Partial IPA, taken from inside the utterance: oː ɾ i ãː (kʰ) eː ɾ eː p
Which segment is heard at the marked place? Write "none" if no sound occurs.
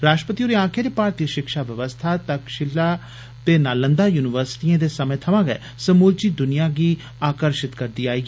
kʰ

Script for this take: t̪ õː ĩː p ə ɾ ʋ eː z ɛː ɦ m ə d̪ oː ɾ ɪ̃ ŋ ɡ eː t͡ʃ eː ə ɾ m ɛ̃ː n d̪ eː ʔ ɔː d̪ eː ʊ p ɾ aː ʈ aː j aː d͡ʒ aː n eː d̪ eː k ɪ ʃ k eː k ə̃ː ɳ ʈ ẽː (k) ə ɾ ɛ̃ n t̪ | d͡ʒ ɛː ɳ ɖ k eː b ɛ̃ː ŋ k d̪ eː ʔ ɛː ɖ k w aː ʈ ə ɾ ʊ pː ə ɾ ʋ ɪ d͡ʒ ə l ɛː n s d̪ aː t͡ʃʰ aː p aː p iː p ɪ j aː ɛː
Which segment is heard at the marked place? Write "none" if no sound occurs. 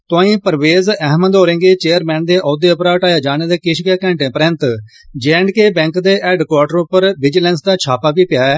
p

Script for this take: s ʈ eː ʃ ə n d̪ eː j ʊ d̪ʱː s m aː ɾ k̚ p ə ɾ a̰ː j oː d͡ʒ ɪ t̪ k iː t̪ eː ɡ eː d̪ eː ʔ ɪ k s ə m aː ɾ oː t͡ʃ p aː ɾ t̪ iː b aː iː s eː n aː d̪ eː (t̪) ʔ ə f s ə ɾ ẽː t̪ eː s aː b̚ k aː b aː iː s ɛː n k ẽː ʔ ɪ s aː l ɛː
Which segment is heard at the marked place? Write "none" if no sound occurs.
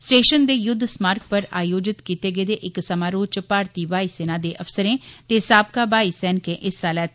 none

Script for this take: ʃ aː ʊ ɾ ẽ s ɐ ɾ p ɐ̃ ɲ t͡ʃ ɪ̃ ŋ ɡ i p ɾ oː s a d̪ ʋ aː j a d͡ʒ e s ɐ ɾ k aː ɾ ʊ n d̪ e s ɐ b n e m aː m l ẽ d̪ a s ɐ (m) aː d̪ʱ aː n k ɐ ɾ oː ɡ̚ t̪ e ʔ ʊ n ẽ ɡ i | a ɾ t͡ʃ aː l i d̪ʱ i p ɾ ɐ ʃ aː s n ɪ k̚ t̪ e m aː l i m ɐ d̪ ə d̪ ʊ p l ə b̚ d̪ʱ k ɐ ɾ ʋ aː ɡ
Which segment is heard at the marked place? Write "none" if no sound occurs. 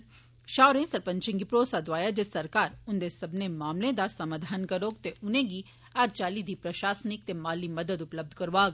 m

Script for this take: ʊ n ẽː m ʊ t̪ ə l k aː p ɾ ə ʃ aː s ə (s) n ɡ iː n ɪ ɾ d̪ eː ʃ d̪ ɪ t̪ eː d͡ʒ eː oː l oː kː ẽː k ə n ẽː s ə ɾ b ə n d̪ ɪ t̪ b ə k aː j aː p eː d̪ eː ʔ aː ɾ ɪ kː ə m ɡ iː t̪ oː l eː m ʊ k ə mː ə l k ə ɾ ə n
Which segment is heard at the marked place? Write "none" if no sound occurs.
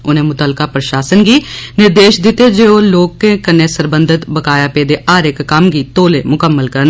none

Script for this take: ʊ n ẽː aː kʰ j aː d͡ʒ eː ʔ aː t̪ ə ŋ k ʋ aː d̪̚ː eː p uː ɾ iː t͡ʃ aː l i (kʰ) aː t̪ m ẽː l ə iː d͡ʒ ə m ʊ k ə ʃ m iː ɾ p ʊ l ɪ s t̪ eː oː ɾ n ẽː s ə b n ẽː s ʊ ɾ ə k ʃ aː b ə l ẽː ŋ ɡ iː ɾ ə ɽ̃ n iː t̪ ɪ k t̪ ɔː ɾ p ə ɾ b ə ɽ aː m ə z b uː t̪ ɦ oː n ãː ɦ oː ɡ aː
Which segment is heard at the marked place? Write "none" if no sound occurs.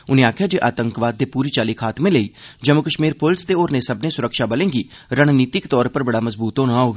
kʰ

